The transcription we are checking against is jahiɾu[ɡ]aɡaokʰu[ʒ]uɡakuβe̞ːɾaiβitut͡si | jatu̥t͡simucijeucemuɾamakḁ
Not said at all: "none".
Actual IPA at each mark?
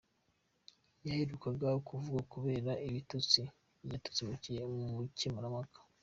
k, v

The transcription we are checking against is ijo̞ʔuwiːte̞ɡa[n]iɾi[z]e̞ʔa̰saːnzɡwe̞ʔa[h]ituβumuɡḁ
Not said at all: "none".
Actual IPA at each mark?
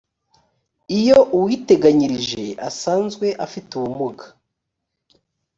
ɲ, ʒ, f

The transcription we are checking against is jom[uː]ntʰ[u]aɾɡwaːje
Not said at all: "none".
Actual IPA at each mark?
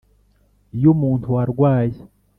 uː, u

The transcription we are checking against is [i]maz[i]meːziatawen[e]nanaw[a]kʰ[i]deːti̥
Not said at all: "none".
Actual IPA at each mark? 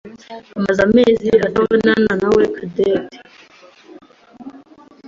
a, a, a, e, a

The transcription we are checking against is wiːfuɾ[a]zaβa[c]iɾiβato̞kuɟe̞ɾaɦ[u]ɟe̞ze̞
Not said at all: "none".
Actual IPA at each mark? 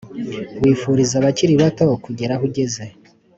i, c, u

